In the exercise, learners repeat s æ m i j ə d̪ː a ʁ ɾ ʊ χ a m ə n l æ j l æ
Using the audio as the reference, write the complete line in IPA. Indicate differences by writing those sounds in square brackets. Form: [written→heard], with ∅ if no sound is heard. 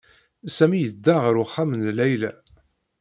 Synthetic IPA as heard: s æ m i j ə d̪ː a ʁ ɾ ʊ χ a m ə n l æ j l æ